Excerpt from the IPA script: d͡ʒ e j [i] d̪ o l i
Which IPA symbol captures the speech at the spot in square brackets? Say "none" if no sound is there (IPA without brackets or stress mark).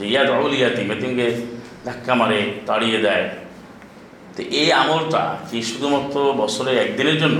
a